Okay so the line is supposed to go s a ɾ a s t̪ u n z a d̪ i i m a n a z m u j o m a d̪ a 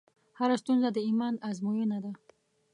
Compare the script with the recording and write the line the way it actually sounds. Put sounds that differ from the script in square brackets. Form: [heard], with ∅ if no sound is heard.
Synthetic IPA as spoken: [h] a ɾ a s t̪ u n z a d̪ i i m a n a z m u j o [n] a d̪ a

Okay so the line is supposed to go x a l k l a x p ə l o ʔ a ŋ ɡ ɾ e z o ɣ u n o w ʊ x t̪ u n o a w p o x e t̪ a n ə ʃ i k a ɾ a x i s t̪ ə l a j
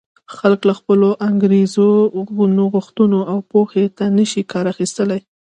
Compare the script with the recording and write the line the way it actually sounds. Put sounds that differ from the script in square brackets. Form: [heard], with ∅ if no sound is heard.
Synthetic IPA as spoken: x a l k l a x p ə l o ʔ a ŋ ɡ ɾ e z o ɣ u n o [ɣ] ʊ x t̪ u n o a w p o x e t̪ a n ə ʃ i k [ɑ] ɾ a x i s t̪ ə l a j

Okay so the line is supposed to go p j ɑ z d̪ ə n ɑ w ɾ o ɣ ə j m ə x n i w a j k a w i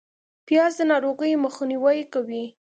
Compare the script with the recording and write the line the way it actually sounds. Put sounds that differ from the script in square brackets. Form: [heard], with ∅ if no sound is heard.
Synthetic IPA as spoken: p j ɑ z d̪ ə n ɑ [∅] ɾ o ɣ ə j m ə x n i w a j k a w i

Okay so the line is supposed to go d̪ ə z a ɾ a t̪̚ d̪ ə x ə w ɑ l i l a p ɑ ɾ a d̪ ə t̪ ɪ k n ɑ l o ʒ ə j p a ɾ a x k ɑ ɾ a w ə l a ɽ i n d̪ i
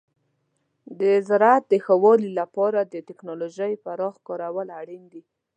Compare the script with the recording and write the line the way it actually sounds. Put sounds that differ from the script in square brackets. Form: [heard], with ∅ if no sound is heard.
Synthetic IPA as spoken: d̪ ə z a ɾ a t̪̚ d̪ ə x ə w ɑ l i l a p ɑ ɾ a d̪ ə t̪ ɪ k n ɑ l o ʒ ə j p a ɾ [ɑ] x k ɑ ɾ a w ə l a ɽ i n d̪ i

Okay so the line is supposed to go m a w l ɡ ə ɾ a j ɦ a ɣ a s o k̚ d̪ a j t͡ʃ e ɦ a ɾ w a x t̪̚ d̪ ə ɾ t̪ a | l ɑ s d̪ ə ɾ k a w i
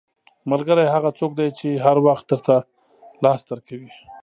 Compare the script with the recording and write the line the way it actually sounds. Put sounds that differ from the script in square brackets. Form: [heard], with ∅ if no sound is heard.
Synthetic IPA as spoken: m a [∅] l ɡ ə ɾ a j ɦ a ɣ a [t͡s] o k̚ d̪ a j t͡ʃ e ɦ a ɾ w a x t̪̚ d̪ ə ɾ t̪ a | l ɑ s d̪ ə ɾ k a w i

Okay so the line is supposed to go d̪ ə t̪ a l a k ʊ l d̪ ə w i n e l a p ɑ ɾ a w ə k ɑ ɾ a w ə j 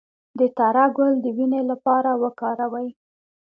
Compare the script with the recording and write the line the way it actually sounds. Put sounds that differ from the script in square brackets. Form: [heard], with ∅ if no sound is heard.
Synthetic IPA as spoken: d̪ ə t̪ a [ɾ] a [ɡ] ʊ l d̪ ə w i n e l a p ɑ ɾ a w ə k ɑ ɾ a w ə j

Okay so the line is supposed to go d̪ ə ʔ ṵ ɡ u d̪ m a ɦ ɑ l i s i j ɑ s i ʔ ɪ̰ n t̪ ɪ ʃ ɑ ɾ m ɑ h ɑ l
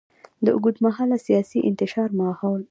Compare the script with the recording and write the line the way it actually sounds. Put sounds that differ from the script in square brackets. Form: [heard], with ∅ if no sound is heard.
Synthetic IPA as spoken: d̪ ə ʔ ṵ ɡ u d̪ m a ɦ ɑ l [a] s i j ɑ s i ʔ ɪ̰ n t̪ ɪ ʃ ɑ ɾ m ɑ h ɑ l

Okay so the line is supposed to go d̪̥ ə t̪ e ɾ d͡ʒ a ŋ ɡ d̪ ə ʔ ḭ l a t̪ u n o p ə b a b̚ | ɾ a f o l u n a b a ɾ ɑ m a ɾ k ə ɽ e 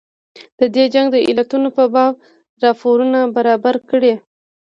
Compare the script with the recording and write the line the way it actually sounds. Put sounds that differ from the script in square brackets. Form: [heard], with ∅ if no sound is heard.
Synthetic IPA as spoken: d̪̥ ə [d̪] e [∅] d͡ʒ a ŋ ɡ d̪ ə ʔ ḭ l a t̪ u n o p ə b [ɑ] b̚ | ɾ [ɑ] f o [ɾ] u n a b a ɾ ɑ [b] a ɾ k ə ɽ e

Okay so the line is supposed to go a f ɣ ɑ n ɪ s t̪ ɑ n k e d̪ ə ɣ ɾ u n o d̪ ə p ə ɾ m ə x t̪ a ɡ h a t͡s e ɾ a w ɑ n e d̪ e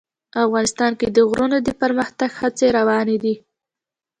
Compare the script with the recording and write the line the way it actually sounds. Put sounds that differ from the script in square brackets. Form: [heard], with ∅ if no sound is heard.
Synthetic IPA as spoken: a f ɣ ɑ n ɪ s t̪ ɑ n k e d̪ ə ɣ ɾ u n o d̪ ə p ə ɾ m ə x t̪ a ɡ h a t͡s e ɾ a w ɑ n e d̪ [i]

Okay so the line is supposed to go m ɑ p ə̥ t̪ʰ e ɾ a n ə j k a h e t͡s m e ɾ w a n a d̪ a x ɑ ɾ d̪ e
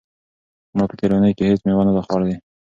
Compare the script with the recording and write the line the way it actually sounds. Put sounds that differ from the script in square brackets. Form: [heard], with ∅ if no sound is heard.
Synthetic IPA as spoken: m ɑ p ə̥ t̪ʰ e ɾ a n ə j k [e] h e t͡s m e [∅] w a n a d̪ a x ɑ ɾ d̪ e

